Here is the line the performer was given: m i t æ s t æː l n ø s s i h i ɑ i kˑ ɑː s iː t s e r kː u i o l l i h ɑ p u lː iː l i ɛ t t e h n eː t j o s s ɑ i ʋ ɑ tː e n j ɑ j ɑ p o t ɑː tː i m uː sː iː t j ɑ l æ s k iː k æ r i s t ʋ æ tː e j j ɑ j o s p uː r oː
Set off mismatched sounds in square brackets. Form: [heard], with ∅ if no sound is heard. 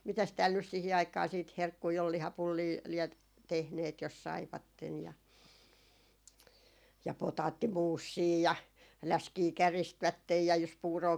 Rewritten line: m i t æ s t æː l n [y] s s i h i ɑ i kˑ ɑː s iː t [h] e r kː u i o l l i h ɑ p u lː iː l i ɛ t t e h n eː t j o s s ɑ i ʋ ɑ tː e n j ɑ j ɑ p o t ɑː tː i m uː sː iː [∅] j ɑ l æ s k iː k æ r i s t ʋ æ tː e j j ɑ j o s p uː r oː